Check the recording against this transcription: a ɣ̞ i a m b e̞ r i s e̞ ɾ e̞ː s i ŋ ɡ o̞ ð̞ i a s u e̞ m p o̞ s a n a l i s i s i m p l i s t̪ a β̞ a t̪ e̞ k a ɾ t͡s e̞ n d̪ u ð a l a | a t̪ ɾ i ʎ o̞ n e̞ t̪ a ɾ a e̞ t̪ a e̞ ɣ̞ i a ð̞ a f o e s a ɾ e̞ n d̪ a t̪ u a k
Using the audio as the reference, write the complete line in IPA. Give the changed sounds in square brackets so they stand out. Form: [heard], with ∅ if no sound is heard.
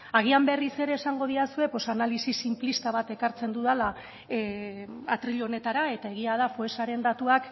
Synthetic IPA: a ɣ̞ i a m b e̞ r i s e̞ ɾ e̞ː s [a] ŋ ɡ o̞ ð̞ i a s u e̞ [∅] p o̞ s a n a l i s i s i m p l i s t̪ a β̞ a t̪ e̞ k a ɾ t͡s e̞ n d̪ u ð a l a | a t̪ ɾ i ʎ o̞ n e̞ t̪ a ɾ a e̞ t̪ a e̞ ɣ̞ i a ð̞ a f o e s a ɾ e̞ n d̪ a t̪ u a k